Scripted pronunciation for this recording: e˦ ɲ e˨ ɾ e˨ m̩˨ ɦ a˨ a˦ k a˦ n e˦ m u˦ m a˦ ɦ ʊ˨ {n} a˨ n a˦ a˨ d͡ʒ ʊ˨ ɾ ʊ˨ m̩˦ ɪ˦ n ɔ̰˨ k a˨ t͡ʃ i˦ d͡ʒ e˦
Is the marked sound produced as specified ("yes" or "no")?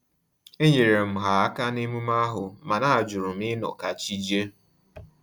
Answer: no